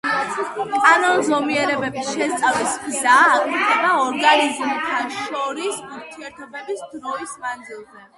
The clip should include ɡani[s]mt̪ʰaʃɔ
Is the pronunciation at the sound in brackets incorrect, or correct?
incorrect